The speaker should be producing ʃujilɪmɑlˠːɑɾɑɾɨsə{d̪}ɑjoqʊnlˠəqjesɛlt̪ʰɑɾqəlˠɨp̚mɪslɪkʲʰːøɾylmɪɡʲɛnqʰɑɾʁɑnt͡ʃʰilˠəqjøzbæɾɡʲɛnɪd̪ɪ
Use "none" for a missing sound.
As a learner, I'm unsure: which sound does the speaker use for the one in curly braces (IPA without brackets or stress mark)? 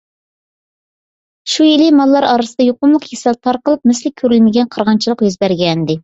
d̪